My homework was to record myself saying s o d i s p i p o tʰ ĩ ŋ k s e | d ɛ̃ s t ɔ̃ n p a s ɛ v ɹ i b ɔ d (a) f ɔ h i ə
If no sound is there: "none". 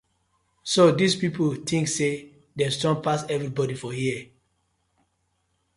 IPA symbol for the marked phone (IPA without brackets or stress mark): i